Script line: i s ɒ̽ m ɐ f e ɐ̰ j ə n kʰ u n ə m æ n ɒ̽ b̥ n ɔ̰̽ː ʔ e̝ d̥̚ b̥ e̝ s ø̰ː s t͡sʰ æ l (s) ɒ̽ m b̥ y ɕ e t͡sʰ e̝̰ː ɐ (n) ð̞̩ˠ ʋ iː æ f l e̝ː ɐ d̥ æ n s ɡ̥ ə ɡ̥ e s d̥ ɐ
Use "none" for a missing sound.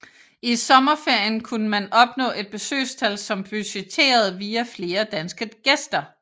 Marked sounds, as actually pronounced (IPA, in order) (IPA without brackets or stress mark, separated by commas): s, none